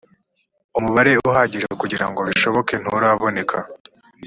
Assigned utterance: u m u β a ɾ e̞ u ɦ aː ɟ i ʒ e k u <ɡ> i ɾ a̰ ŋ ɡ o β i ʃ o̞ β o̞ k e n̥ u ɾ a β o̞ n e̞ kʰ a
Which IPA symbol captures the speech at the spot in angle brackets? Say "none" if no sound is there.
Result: ɟ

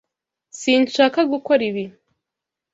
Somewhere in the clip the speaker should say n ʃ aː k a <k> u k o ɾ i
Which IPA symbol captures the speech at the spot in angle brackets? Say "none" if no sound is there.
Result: ɡ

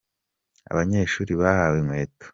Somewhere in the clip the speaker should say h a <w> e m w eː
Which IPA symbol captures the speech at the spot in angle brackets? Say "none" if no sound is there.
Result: w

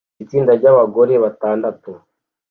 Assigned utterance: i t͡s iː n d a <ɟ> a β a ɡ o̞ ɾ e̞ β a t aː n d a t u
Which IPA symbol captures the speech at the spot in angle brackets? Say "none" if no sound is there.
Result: ɟ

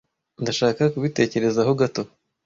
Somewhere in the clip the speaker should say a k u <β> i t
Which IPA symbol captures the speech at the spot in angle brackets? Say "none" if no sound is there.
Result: β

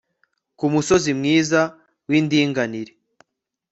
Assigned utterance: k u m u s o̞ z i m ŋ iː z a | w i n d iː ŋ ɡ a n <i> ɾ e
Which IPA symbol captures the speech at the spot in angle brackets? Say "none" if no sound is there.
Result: i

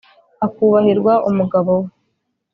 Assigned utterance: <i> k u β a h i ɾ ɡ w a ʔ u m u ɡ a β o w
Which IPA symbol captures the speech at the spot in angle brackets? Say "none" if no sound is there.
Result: a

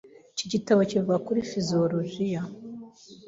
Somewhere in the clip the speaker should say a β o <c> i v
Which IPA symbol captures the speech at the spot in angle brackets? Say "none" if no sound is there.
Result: c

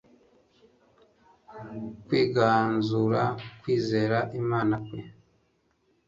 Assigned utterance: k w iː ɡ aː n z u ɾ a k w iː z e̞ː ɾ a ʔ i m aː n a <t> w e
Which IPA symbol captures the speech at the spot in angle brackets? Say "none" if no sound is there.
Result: k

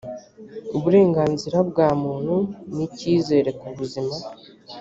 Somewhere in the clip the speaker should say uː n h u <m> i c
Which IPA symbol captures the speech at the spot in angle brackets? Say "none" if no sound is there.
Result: n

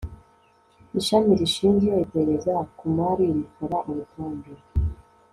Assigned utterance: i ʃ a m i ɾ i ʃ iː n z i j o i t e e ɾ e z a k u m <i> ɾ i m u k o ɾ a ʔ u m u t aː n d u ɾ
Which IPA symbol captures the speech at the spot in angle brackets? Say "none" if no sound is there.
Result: a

